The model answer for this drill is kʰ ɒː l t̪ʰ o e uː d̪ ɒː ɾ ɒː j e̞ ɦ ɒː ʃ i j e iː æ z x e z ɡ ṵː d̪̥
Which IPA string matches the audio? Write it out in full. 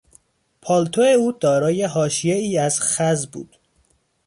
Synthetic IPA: pʰ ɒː l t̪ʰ o e uː d̪ ɒː ɾ ɒː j e̞ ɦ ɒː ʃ i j e iː æ z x æ z b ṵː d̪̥